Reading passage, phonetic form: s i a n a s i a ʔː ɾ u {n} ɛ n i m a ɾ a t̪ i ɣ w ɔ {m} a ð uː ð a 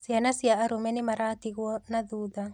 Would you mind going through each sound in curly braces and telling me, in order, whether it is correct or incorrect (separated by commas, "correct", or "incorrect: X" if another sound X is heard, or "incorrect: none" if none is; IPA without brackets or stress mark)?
incorrect: m, incorrect: n